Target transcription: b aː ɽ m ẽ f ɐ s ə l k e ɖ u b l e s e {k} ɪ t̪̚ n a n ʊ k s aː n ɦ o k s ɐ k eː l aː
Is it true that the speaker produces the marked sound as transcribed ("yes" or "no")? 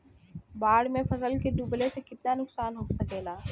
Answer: yes